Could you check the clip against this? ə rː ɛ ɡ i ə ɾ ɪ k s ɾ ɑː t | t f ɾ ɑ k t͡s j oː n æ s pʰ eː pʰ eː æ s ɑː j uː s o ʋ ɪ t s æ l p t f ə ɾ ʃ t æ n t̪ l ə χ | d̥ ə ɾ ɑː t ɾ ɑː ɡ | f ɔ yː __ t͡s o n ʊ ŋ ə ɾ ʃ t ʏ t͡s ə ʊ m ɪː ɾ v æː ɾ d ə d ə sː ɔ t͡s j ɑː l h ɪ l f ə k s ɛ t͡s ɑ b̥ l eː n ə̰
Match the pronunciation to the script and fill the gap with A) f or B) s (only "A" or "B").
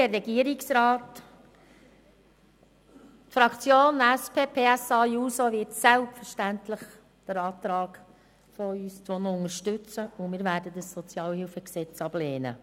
B